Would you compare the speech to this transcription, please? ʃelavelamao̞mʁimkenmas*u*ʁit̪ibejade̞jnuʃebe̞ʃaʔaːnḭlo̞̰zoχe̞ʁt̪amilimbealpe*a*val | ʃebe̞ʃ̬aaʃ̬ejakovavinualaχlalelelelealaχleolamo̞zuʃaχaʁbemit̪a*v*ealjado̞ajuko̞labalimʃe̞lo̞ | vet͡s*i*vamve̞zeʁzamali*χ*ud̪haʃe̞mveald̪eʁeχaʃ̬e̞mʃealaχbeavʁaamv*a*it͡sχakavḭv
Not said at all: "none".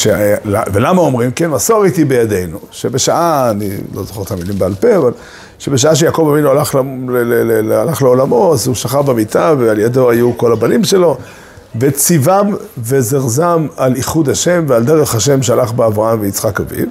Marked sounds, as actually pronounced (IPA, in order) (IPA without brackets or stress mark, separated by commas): o, a, v, i, χ, e